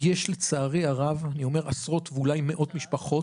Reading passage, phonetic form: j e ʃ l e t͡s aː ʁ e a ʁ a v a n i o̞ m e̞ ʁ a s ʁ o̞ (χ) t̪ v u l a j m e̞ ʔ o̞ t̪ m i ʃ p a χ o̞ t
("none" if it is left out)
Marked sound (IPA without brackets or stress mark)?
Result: none